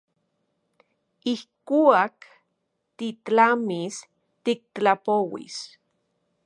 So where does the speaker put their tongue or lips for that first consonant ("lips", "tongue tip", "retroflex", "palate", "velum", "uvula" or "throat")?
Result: throat